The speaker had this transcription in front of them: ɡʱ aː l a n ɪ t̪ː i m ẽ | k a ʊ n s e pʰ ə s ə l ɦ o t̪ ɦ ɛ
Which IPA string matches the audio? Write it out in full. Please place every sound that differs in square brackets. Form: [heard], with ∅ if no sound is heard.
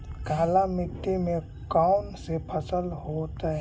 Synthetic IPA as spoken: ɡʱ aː l a [m] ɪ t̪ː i m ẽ | k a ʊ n s e pʰ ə s ə l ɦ o t̪ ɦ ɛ